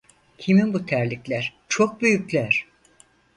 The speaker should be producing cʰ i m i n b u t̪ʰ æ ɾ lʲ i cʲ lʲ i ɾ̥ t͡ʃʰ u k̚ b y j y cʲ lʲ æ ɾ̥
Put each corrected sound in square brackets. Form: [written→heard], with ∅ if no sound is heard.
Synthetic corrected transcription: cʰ i m i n b u t̪ʰ æ ɾ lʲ i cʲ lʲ [i→æ] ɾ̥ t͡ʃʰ [u→o] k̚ b y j y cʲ lʲ æ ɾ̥